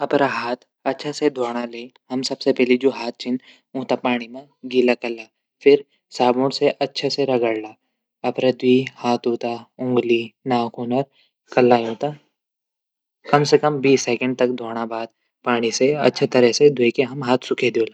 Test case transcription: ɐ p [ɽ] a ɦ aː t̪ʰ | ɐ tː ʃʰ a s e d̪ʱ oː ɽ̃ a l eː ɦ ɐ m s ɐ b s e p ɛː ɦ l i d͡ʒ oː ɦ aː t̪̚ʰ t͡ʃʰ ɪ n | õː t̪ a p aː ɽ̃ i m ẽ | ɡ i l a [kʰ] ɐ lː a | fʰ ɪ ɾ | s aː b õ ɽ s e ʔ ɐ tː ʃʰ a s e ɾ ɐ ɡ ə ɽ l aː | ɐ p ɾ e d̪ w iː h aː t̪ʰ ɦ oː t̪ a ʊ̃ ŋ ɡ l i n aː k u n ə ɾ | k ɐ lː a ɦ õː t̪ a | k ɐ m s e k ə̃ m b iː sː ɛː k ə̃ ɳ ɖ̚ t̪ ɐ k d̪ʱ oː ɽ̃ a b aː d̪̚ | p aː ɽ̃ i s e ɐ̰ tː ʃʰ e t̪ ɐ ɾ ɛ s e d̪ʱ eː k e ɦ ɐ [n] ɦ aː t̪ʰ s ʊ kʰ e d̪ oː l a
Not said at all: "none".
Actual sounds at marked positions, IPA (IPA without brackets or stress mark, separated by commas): ɾ, k, m